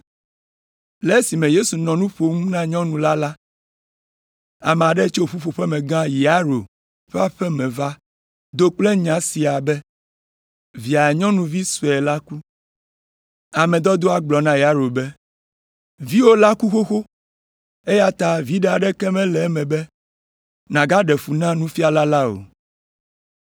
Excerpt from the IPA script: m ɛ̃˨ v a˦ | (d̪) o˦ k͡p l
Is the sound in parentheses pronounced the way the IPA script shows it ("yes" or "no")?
yes